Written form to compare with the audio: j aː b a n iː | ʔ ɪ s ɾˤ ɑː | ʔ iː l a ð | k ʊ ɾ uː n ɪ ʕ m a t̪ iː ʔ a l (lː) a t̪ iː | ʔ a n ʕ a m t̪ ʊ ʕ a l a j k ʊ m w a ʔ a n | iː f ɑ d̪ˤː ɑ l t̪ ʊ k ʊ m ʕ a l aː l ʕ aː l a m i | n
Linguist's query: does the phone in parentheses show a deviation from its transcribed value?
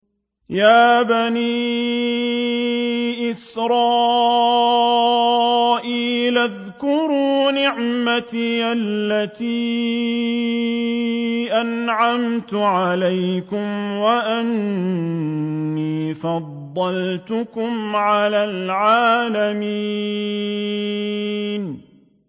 no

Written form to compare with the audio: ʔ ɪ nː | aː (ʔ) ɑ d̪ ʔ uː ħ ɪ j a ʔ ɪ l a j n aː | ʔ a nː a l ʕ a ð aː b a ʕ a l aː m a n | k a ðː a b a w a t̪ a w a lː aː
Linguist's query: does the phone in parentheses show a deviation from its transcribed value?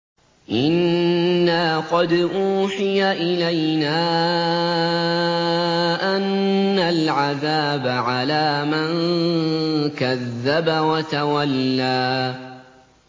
yes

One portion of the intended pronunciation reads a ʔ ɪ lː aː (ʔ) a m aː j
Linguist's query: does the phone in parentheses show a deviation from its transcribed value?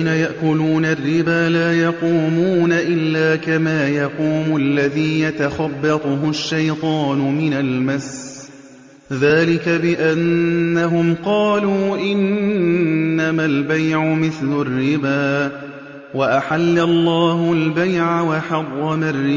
yes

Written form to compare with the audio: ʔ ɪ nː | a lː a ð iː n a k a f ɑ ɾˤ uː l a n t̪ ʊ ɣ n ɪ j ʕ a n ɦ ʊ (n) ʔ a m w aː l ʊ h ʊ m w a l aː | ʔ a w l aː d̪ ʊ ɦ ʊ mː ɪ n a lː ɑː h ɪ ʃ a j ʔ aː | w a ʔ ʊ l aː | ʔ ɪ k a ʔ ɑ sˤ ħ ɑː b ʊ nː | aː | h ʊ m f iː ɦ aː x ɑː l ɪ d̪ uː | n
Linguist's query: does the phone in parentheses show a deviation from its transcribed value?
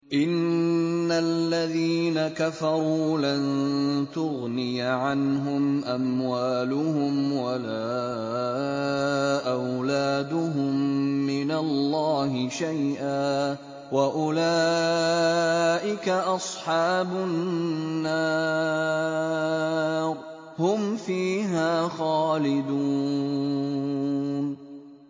yes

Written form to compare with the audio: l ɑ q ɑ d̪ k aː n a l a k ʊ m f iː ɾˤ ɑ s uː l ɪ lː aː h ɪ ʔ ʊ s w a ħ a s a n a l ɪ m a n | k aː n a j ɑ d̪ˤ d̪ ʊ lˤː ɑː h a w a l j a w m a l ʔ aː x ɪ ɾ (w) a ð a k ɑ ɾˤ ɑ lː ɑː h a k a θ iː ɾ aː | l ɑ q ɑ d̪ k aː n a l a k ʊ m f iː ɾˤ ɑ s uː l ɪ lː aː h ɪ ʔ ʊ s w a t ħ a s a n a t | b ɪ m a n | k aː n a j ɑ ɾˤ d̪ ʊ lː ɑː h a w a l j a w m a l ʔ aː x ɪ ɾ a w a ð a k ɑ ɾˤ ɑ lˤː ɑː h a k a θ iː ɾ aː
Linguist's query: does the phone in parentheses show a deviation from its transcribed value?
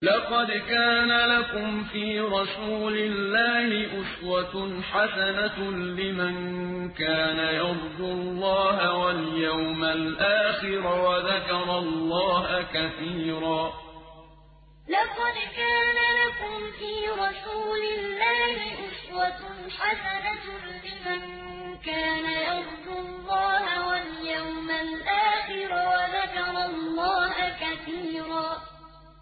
no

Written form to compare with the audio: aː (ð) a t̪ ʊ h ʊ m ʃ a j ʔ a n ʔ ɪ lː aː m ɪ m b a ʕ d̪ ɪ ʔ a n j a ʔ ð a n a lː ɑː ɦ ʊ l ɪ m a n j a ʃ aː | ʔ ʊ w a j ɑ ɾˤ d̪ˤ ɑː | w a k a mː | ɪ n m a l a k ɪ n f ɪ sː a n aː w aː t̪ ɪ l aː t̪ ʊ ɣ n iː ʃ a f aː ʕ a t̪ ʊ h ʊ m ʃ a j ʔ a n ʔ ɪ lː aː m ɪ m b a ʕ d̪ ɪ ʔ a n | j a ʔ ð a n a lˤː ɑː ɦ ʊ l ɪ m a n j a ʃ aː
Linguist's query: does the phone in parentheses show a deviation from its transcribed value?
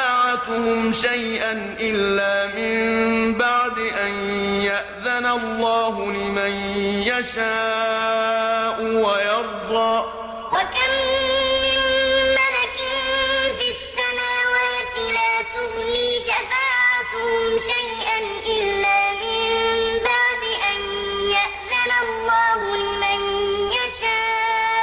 yes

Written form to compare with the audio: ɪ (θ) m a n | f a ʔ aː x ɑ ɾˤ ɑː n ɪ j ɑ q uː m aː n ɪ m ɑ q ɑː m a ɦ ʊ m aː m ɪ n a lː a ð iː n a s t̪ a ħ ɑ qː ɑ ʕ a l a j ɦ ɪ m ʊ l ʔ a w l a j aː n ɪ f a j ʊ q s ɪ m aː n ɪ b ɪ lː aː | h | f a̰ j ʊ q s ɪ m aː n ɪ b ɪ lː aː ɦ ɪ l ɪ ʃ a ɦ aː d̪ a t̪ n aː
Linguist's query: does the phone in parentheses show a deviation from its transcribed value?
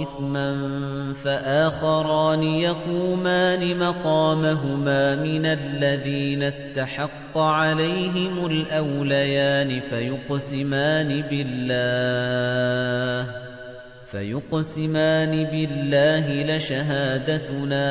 no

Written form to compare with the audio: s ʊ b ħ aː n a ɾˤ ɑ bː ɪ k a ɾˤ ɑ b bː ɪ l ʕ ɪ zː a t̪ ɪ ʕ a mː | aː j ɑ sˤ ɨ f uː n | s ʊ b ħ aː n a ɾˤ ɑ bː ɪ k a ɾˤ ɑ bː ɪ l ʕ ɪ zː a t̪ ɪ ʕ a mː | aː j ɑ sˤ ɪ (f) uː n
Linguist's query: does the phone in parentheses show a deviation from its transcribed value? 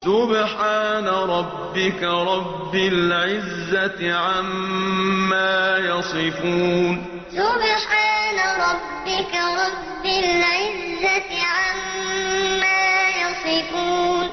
no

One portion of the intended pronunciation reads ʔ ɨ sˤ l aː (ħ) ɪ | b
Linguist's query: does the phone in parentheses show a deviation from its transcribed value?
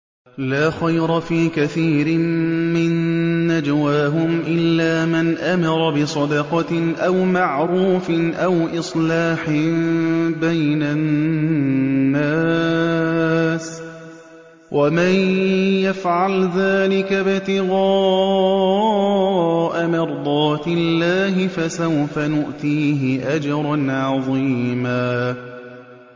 no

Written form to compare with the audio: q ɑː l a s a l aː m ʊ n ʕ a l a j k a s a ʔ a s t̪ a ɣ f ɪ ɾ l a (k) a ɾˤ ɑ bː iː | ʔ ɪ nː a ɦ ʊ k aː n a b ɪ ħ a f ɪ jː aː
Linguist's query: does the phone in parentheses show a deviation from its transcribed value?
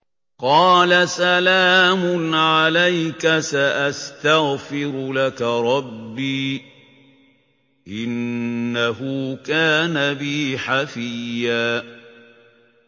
no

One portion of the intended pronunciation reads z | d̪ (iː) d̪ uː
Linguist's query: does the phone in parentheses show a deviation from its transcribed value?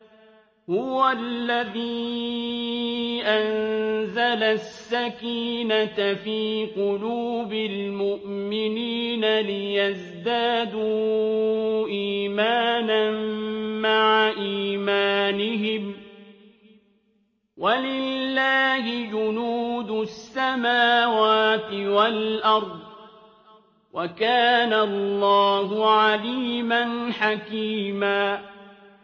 yes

